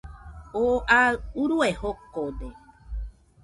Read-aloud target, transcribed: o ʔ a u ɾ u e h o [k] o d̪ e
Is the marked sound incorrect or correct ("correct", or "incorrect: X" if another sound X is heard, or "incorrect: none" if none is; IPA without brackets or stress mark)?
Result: correct